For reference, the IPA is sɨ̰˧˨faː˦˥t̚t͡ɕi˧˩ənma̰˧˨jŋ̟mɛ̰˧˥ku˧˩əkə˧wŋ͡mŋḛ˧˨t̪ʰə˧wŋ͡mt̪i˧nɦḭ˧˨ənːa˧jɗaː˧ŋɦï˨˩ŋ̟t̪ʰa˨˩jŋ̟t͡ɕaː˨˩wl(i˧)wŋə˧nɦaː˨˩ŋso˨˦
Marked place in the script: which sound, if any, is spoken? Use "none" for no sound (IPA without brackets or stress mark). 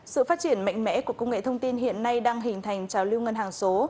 i˧